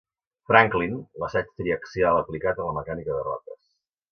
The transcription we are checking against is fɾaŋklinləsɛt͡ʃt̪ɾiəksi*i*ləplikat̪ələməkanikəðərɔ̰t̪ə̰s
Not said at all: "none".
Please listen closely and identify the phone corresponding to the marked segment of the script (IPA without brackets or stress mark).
a